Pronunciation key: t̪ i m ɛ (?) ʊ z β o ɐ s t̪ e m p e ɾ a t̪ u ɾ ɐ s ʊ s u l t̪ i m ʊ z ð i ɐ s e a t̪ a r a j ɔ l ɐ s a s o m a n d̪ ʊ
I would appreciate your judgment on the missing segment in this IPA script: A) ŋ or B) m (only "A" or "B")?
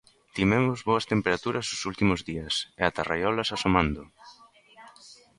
B